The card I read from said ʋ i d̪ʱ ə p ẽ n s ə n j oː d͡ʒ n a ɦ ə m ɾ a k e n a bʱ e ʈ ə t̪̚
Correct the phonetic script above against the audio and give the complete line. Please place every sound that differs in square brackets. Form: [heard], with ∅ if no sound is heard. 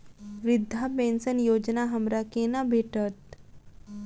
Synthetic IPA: ʋ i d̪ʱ [a] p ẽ n s ə n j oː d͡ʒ n a ɦ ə m ɾ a k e n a bʱ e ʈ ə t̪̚